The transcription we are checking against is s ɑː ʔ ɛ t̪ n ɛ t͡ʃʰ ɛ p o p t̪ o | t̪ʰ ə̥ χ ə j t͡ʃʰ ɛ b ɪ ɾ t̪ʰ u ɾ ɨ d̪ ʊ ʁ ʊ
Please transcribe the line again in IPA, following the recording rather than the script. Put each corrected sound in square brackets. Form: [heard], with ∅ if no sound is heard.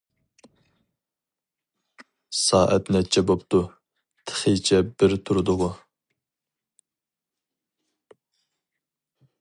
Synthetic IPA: s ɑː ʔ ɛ t̪ n ɛ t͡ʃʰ ɛ [b] o p t̪ [u] | t̪ʰ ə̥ χ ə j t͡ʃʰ ɛ b ɪ ɾ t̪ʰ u ɾ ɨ d̪ ʊ ʁ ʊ